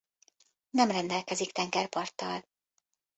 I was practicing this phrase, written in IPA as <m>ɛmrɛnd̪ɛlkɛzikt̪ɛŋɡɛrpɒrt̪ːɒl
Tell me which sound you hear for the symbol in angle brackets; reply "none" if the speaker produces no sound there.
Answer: n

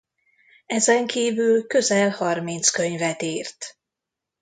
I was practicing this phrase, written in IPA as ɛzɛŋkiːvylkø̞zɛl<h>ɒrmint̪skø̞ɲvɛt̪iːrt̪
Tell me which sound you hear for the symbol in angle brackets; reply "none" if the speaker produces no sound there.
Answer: h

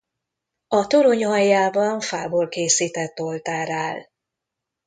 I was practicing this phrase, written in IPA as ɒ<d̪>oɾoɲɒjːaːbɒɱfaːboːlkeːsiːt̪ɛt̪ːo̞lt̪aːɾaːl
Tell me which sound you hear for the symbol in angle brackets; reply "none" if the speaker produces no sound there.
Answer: t̪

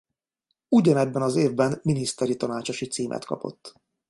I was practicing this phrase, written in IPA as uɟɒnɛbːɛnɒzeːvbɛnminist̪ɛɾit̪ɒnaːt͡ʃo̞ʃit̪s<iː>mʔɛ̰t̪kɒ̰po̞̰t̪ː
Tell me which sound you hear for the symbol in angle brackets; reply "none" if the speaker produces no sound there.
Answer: iː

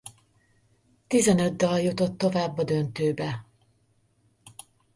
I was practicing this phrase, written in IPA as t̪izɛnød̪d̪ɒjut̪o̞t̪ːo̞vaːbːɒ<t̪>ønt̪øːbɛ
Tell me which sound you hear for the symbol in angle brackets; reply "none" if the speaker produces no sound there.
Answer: d̪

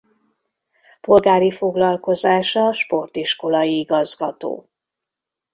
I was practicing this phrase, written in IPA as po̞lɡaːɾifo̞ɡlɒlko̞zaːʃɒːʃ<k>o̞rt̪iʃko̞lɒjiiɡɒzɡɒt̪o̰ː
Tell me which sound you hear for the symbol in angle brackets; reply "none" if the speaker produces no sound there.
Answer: p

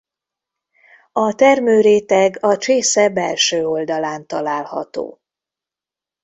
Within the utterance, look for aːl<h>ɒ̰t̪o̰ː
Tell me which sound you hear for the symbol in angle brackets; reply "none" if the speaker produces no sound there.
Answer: h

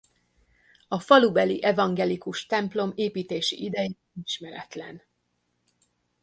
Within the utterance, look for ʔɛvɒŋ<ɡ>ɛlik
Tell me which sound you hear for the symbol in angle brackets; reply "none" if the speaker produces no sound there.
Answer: ɡ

